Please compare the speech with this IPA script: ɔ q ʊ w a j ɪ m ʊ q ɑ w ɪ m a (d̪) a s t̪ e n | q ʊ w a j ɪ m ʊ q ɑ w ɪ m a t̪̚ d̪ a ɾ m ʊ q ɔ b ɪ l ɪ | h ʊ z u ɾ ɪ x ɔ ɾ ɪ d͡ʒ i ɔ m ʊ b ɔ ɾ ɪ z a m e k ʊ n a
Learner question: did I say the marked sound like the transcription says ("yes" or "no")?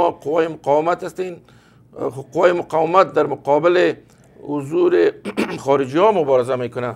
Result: no